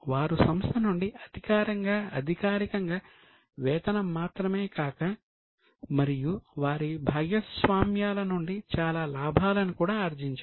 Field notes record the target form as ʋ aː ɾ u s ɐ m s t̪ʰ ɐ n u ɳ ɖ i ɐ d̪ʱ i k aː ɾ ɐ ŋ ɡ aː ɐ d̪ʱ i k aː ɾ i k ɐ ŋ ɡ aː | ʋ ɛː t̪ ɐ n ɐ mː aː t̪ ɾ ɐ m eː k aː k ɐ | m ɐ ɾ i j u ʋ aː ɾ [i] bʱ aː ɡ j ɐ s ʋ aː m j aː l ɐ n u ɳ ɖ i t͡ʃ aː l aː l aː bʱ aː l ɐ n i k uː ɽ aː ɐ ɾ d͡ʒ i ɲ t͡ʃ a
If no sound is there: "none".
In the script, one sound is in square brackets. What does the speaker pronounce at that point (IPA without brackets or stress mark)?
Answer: i